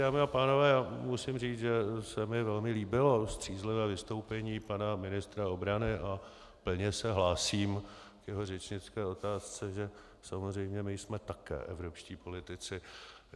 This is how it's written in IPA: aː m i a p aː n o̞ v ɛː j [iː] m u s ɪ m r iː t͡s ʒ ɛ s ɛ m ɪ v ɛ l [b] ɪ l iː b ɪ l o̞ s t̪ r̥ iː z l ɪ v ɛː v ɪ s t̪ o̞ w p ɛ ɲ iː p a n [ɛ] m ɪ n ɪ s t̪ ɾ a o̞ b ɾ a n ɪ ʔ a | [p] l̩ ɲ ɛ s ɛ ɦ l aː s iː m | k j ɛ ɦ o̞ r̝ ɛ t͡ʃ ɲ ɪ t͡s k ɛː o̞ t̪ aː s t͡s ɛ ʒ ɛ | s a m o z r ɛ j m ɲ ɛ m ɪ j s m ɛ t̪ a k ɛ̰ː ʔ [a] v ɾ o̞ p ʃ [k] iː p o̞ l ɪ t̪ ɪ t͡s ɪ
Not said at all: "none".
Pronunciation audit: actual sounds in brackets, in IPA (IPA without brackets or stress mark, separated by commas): aː, m, a, p, ɛ, c